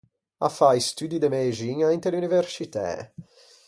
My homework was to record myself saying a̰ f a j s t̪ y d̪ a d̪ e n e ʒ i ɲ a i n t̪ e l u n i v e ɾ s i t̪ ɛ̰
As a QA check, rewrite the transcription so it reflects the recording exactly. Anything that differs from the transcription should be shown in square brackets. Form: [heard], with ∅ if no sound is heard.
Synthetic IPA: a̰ f a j s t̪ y d̪ [i] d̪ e [m] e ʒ i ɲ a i n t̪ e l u n i v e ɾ s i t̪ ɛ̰